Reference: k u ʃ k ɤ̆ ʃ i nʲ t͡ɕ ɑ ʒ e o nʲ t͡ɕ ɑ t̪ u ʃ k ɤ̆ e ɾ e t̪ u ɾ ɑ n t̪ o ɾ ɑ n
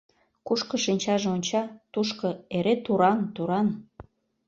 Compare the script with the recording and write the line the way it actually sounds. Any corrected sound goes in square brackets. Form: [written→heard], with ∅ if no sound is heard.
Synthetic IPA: k u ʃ k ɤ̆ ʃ i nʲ t͡ɕ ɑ ʒ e o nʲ t͡ɕ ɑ t̪ u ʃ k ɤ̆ e ɾ e t̪ u ɾ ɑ n t̪ [o→u] ɾ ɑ n